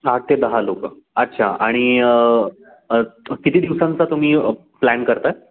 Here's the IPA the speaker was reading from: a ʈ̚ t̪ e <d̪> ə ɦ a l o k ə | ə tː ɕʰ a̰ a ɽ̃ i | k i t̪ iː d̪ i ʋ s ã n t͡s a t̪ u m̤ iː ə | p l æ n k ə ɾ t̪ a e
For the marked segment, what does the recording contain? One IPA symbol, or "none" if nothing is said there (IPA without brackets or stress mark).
d̪